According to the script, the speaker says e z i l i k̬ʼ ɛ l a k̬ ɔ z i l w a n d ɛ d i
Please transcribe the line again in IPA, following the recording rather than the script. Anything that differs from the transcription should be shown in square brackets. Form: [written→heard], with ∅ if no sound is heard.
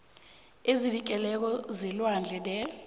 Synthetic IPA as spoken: e z i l i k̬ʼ ɛ l [a→ɛ] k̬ ɔ z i l w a n [d→d͡ɮʱ] ɛ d [i→ɛ]